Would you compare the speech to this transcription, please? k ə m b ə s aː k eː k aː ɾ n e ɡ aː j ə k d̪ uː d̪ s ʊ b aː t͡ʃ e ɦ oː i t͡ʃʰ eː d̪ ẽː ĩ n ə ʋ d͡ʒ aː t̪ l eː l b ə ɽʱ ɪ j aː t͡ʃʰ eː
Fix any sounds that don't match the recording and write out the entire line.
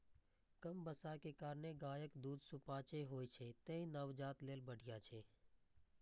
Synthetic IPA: k ə m b ə s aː k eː k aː ɾ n e ɡ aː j ə k d̪ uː d̪ s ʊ p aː t͡ʃ e ɦ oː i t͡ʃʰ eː t̪ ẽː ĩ n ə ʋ d͡ʒ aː t̪ l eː l b ə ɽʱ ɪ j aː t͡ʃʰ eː

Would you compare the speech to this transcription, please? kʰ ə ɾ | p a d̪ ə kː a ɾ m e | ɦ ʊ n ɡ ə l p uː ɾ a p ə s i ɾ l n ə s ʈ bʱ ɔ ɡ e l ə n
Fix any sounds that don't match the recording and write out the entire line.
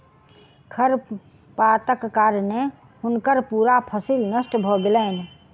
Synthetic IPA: kʰ ə ɾ | p a t̪ ə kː a ɾ n e | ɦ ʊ n k ə ɾ p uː ɾ a pʰ ə s i l n ə s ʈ bʱ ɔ ɡ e l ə n

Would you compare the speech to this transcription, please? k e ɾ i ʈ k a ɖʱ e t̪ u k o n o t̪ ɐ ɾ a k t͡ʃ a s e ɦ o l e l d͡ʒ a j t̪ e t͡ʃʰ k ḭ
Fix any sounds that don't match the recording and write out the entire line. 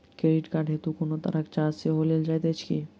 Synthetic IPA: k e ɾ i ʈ k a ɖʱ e t̪ u k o n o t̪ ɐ ɾ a k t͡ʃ a s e ɦ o l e l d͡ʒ a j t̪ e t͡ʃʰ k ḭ

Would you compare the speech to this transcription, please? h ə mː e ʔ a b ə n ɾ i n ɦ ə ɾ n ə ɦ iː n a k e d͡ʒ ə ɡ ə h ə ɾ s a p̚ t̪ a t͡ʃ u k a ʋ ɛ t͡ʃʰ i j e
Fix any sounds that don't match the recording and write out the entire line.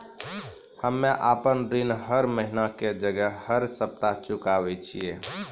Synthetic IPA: h ə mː e ʔ a p ə n ɾ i n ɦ ə ɾ m ə ɦ i n a k e d͡ʒ ə ɡ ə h ə ɾ s ə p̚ t̪ a t͡ʃ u k a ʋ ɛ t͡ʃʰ i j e

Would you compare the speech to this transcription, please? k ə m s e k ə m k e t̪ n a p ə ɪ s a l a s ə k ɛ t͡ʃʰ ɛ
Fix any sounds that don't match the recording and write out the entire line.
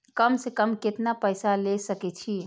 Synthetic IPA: k ə m s e k ə m k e t̪ n a p ə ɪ s a l e s ə k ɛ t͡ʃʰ i

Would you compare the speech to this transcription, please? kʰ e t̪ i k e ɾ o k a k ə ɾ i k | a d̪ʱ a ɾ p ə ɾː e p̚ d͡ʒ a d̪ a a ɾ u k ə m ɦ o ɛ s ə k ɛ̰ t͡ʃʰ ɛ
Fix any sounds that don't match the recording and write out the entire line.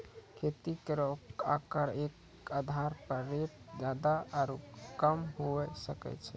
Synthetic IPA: kʰ e t̪ i k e ɾ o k a k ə ɾ e k | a d̪ʱ a ɾ p ə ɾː e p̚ d͡ʒ a d̪ a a ɾ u k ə m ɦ o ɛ s ə k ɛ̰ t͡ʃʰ ɛ

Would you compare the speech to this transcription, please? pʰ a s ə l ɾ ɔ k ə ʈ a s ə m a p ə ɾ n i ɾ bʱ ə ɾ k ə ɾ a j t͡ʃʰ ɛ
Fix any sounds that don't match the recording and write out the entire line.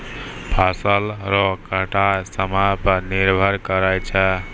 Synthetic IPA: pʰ a s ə l ɾ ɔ k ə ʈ a s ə m a p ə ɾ n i ɾ bʱ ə ɾ k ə ɾ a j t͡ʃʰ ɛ

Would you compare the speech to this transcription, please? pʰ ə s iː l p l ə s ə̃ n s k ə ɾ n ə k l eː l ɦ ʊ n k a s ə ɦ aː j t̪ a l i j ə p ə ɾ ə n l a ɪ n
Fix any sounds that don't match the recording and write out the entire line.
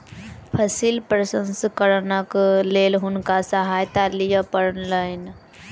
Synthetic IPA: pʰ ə s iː l p ɾ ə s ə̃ n s k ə ɾ n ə k l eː l ɦ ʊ n k a s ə ɦ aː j t̪ a l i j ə p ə ɾ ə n l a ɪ n

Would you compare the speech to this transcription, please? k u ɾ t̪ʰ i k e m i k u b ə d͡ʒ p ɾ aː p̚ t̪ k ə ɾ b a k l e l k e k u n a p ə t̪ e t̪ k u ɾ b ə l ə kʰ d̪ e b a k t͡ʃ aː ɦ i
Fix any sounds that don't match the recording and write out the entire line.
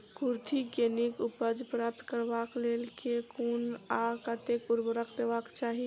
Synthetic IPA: k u ɾ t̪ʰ i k e n i k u p ə d͡ʒ p ɾ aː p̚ t̪ k ə ɾ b a k l e l k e k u n a k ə t̪ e k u ɾ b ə ɾ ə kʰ d̪ e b a k t͡ʃ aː ɦ i

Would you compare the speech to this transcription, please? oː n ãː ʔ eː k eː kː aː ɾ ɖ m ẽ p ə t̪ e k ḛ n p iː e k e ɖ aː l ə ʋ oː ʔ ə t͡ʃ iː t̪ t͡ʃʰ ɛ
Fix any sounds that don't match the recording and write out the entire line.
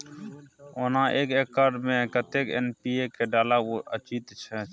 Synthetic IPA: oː n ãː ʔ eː k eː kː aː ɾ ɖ m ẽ k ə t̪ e k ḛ n p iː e k e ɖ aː l a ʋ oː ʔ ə t͡ʃ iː t̪ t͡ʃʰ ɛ

